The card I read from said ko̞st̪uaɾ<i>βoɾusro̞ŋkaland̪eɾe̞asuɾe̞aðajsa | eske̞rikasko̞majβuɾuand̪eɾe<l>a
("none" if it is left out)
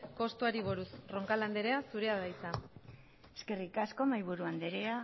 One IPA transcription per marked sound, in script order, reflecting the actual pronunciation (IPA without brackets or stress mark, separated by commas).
i, none